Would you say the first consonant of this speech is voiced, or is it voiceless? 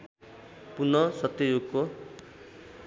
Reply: voiceless